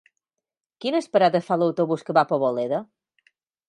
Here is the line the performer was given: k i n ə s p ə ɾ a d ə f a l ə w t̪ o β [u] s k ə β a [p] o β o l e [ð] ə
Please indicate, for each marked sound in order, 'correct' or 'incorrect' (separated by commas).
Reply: correct, correct, correct